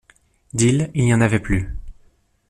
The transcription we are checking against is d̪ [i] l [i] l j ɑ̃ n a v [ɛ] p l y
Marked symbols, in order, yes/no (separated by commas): yes, yes, yes